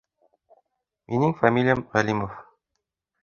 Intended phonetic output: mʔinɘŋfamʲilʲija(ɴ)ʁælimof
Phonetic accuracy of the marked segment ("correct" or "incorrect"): incorrect